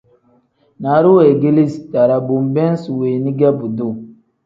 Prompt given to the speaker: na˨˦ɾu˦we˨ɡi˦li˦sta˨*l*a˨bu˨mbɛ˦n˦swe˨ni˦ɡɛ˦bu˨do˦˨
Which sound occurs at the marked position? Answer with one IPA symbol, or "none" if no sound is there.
ɾ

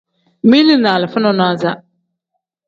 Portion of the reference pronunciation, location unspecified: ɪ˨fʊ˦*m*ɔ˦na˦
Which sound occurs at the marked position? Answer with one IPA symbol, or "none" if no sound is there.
n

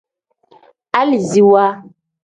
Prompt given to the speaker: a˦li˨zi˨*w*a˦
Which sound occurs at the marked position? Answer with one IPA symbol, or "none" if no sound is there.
w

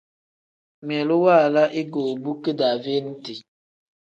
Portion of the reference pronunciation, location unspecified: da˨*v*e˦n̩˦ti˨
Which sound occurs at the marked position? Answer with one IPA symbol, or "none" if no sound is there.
v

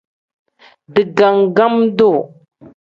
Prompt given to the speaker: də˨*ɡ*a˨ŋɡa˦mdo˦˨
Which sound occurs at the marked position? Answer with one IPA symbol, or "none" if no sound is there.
ɡ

